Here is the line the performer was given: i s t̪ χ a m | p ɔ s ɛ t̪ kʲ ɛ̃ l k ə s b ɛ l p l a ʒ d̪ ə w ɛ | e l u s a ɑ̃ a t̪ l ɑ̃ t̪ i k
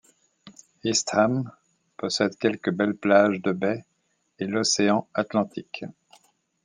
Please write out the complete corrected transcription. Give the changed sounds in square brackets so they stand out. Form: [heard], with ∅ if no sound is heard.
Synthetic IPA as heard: i s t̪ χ a m | p ɔ s ɛ [d̪] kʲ [ɛ] l k ə [∅] b ɛ l p l a ʒ d̪ ə [b] ɛ | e l [ɔ] s [e] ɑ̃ a t̪ l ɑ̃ t̪ i k